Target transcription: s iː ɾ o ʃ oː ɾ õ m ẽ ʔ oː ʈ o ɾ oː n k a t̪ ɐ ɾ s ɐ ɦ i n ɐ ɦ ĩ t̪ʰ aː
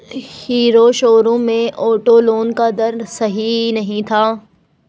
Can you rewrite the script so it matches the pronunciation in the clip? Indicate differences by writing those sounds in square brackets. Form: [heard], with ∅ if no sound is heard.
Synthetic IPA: [h] iː ɾ o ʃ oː ɾ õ m ẽ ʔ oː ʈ o [l] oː n k a [d̪] ɐ ɾ s ɐ ɦ i n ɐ ɦ ĩ t̪ʰ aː